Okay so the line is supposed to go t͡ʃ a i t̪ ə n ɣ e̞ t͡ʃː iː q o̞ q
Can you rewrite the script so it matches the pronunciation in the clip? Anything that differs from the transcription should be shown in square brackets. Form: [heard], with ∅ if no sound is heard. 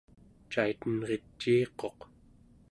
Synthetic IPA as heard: t͡ʃ a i t̪ ə n [ʁ] e̞ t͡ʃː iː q o̞ q